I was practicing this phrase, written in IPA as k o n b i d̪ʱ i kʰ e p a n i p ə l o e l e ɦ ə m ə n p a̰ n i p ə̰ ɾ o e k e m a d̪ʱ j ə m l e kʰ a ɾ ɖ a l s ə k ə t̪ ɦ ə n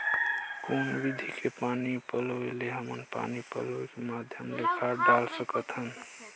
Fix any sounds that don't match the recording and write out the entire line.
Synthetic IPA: k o n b i d̪ʱ i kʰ e p a n i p ə l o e l e ɦ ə m ə n p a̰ n i p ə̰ l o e k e m a d̪ʱ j ə m l e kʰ a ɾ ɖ a l s ə k ə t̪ ɦ ə n